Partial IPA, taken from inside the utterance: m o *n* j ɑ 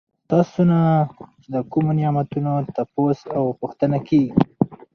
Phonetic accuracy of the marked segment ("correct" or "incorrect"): correct